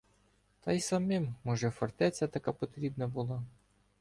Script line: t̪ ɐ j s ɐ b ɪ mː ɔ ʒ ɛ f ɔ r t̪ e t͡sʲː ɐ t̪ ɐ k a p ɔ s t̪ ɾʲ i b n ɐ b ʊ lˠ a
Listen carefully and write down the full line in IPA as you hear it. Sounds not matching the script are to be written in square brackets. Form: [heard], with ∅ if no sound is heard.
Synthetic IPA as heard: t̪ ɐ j s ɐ [m] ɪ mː ɔ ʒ ɛ f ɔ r t̪ [ɛ] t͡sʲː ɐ t̪ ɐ k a p ɔ [∅] t̪ ɾʲ i b n ɐ b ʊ lˠ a

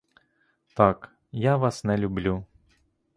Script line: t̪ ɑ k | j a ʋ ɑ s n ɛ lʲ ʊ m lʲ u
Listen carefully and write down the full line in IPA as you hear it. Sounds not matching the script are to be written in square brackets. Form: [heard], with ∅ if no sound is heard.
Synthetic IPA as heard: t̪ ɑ k | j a ʋ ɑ s n ɛ lʲ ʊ [b] lʲ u

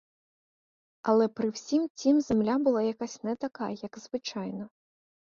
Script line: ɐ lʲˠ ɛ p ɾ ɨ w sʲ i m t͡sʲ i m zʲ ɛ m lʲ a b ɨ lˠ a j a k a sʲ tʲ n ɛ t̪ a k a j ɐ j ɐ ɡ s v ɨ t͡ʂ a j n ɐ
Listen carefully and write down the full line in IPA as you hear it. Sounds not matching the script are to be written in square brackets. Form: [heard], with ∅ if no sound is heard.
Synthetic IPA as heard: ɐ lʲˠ ɛ p ɾ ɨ w sʲ i m t͡sʲ i m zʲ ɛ m lʲ a b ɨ lˠ a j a k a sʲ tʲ n ɛ t̪ a k a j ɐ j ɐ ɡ [z] v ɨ t͡ʂ a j n ɐ

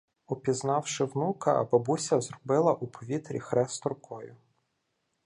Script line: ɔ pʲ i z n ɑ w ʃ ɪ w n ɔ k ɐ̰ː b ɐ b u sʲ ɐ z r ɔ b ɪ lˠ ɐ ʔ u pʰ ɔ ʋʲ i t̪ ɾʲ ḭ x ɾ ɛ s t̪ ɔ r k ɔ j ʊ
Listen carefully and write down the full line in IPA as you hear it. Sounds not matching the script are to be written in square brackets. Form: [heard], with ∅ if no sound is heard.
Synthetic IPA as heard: ɔ pʲ i z n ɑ w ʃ ɪ w n [u] k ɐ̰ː b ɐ b u sʲ ɐ z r ɔ b ɪ lˠ ɐ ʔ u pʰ ɔ ʋʲ i t̪ ɾʲ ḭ x ɾ ɛ s t̪ ɔ r k ɔ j ʊ

